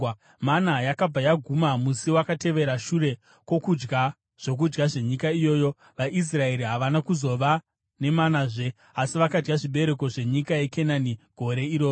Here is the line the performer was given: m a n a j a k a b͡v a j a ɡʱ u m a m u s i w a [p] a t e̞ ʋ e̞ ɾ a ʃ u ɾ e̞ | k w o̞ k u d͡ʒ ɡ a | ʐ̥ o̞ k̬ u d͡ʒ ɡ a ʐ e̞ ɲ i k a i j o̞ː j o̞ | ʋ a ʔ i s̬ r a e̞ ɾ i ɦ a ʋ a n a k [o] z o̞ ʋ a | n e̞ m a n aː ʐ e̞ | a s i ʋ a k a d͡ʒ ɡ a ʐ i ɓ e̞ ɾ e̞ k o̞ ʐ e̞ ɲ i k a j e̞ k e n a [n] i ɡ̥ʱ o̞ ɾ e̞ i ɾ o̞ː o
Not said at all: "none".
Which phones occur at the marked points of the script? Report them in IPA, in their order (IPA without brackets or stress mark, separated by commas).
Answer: k, u, n